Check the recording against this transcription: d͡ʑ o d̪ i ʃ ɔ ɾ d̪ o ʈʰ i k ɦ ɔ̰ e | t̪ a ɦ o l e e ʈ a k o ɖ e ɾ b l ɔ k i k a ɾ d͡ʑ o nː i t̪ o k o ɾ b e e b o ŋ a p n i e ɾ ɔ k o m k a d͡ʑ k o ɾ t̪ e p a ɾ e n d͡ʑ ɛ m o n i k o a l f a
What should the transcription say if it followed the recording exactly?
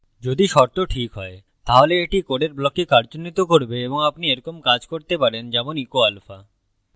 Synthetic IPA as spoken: d͡ʑ o d̪ i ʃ ɔ ɾ t̪ o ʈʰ i k ɦ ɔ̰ e | t̪ a ɦ o l e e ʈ i k o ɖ e ɾ b l ɔ k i k a ɾ d͡ʑ o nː i t̪ o k o ɾ b e e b o ŋ a p n i e ɾ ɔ k o m k a d͡ʑ k o ɾ t̪ e p a ɾ e n d͡ʑ ɛ m o n i k o a l f a